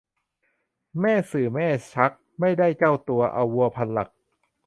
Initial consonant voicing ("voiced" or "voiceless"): voiced